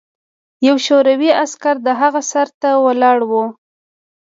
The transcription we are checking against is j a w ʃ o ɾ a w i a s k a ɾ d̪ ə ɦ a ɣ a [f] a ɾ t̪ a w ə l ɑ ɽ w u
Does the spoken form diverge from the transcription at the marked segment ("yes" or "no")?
yes